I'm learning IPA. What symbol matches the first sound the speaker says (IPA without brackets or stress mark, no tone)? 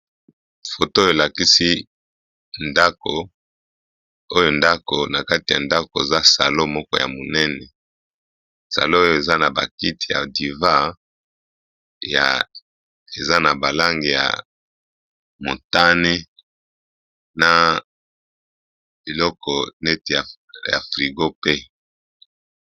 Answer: f